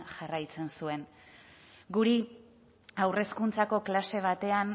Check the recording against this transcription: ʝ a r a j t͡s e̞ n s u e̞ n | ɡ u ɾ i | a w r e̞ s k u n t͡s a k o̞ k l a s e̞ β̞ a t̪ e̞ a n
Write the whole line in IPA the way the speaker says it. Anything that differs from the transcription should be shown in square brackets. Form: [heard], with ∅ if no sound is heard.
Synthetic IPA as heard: ʝ a r a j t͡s e̞ n s u e̞ n | ɡ u ɾ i | a w r e̞ s k u n t͡s a k o̞ k l a s e̞ β̞ a t̪ e̞ a n